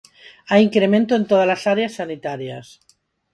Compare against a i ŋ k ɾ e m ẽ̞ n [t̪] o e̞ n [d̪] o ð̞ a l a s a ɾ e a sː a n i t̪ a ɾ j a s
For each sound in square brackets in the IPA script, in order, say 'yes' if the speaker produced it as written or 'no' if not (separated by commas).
yes, no